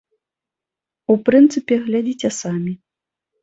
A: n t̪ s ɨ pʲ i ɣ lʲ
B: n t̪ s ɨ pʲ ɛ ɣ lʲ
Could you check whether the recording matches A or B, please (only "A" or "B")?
B